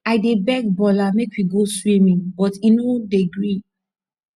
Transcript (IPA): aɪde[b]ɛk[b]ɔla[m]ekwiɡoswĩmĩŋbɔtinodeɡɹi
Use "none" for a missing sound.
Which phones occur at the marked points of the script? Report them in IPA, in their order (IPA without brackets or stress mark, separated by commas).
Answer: b, b, m